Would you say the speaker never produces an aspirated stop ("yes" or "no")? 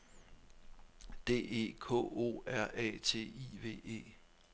no